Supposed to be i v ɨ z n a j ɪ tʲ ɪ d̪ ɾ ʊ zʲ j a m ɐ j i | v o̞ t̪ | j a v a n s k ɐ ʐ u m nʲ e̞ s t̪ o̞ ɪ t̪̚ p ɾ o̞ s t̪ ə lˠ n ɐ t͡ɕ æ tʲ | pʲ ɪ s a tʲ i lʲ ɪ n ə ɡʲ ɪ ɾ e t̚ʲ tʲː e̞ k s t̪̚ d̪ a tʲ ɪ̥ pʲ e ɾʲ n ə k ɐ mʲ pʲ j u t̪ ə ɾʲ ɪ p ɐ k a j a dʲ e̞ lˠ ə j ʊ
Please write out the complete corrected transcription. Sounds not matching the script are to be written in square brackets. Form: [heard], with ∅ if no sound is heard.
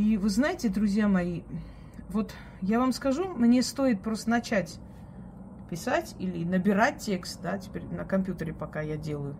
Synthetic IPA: i v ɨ z n a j ɪ tʲ ɪ d̪ ɾ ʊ zʲ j a m ɐ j i | v o̞ t̪ | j a v a [m] s k ɐ ʐ u m nʲ e̞ s t̪ o̞ ɪ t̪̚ p ɾ o̞ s t̪ ə [∅] n ɐ t͡ɕ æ tʲ | pʲ ɪ s a tʲ i lʲ ɪ n ə [bʲ] ɪ ɾ [a] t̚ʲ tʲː e̞ k s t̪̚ d̪ a tʲ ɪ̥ pʲ e ɾʲ n ə k ɐ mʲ pʲ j u t̪ ə ɾʲ ɪ p ɐ k a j a dʲ e̞ lˠ ə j ʊ